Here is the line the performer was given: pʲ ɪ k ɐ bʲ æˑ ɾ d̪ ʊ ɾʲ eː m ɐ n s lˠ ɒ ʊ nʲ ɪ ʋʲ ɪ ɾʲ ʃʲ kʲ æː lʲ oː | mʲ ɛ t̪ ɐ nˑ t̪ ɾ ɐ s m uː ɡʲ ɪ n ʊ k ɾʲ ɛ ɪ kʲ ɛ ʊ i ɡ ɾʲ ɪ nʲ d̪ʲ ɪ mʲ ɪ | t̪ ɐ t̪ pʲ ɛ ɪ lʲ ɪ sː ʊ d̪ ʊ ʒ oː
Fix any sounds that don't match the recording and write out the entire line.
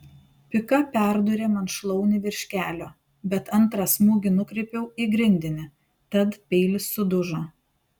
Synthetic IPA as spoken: pʲ ɪ k ɐ pʲ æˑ ɾ d̪ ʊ ɾʲ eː m ɐ n ʃ lˠ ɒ ʊ nʲ ɪ ʋʲ ɪ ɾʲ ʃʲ kʲ æː lʲ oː | bʲ ɛ t̪ ɐ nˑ t̪ ɾ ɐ s m uː ɡʲ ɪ n ʊ k ɾʲ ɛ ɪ pʲ ɛ ʊ i ɡ ɾʲ ɪ nʲ d̪ʲ ɪ nʲ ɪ | t̪ ɐ t̪ pʲ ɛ ɪ lʲ ɪ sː ʊ d̪ ʊ ʒ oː